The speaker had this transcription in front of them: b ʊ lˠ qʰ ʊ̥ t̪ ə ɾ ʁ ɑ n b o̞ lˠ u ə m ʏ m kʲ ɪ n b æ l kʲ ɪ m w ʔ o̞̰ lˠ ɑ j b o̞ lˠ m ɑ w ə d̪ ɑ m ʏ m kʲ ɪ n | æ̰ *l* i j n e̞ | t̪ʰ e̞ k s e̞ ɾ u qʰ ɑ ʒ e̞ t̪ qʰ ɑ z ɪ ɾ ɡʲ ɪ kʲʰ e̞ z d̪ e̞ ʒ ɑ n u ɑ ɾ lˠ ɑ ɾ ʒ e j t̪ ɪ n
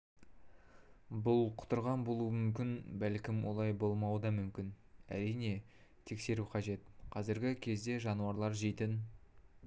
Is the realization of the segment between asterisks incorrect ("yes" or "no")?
yes